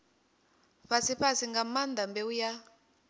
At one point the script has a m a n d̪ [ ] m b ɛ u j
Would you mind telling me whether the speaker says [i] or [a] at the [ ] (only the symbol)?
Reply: a